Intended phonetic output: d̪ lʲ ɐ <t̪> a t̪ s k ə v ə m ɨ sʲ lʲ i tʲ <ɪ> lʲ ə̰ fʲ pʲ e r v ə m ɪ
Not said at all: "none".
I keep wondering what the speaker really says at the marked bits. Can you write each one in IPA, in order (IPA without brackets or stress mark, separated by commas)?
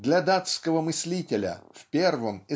d̪, ɪ